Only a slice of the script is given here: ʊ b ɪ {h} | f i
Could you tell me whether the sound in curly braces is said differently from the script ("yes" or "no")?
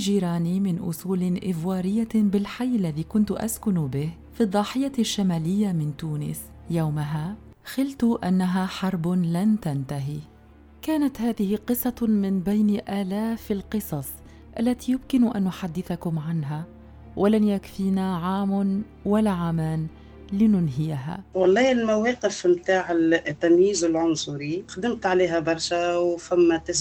no